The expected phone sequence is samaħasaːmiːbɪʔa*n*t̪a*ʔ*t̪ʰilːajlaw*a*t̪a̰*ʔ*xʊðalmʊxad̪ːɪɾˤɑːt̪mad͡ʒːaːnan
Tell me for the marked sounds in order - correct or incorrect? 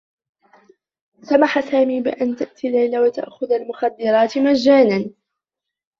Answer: correct, correct, correct, correct

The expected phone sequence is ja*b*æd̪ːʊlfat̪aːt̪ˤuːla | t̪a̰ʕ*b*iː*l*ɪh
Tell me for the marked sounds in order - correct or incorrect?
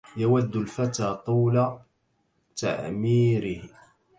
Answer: incorrect, incorrect, incorrect

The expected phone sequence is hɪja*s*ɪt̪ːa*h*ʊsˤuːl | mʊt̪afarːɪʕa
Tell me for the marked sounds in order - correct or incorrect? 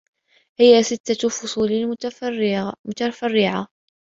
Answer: correct, incorrect

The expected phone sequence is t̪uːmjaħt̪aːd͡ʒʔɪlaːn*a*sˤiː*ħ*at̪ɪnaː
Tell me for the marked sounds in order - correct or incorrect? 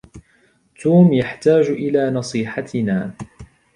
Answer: incorrect, correct

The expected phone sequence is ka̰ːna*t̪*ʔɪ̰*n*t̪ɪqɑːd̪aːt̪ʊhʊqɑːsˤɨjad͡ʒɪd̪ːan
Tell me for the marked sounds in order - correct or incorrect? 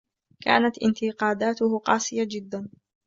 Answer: correct, correct

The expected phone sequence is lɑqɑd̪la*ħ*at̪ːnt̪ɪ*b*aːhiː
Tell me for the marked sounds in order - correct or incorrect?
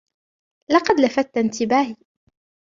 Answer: incorrect, correct

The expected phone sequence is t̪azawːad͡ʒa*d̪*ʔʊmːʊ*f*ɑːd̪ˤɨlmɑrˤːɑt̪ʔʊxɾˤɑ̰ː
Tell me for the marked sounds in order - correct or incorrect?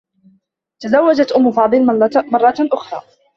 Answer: incorrect, correct

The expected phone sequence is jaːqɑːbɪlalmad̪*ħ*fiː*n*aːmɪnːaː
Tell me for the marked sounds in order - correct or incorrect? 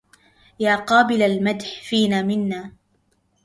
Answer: correct, correct

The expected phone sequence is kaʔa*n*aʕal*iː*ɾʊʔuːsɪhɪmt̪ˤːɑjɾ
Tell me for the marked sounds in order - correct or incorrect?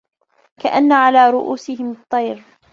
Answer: incorrect, incorrect

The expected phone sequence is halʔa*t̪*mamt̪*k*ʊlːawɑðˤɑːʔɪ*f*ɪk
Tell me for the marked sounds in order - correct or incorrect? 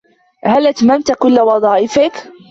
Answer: correct, correct, correct

